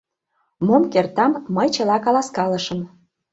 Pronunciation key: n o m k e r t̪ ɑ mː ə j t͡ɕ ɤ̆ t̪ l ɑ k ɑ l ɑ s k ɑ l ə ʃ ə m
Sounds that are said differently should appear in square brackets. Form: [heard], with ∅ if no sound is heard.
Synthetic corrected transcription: [m] o m k e r t̪ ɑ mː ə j t͡ɕ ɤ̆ [∅] l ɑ k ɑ l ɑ s k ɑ l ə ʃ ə m